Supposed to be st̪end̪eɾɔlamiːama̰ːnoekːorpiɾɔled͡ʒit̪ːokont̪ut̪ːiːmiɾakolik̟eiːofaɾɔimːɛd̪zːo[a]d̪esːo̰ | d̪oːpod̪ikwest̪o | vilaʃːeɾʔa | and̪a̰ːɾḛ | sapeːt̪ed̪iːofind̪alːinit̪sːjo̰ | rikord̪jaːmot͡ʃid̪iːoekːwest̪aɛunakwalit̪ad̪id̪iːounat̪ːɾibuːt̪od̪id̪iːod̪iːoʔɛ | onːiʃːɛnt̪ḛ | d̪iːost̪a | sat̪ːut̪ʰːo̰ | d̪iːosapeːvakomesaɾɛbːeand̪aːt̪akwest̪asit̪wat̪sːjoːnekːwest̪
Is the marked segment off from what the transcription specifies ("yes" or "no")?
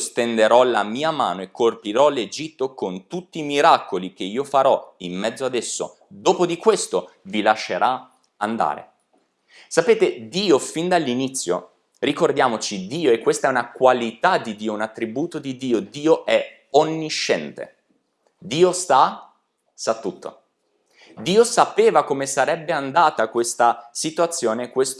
no